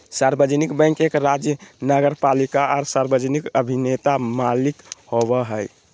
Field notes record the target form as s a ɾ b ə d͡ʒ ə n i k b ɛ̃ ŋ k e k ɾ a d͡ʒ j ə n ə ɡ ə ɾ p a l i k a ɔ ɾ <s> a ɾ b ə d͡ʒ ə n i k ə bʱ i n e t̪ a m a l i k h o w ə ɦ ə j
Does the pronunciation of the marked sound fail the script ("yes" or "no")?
no